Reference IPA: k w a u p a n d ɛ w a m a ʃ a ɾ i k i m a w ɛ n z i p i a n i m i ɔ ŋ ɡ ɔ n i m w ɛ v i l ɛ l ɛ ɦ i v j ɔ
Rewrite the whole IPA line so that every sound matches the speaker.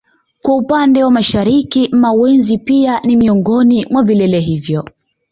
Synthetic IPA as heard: k w a u p a n d ɛ w a m a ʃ a ɾ i k i m a w ɛ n z i p i a n i m i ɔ ŋ ɡ ɔ n i m w a v i l ɛ l ɛ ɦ i v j ɔ